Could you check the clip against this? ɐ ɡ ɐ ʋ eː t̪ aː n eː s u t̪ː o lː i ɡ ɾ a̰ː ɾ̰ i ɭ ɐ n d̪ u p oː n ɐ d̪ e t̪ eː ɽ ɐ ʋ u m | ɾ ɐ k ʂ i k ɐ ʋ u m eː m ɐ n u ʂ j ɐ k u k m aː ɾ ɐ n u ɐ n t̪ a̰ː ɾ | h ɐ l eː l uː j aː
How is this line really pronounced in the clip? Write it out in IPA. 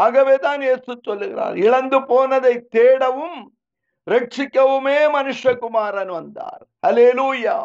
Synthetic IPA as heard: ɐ ɡ ɐ ʋ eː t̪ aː n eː s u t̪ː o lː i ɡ ɾ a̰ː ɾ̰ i ɭ ɐ n d̪ u p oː n ɐ d̪ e t̪ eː ɽ ɐ ʋ u m | ɾ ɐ k ʂ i k ɐ ʋ u m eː m ɐ n u ʂ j ɐ k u m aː ɾ ɐ n u ɐ n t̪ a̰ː ɾ | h ɐ l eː l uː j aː